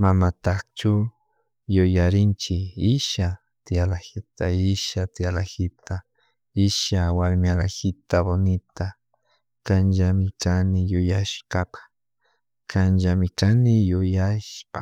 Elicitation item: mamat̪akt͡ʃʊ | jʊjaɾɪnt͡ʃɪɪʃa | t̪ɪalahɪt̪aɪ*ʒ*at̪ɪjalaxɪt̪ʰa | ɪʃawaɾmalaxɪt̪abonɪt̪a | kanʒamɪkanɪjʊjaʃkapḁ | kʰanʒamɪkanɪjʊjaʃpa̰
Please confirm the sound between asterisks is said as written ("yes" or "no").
no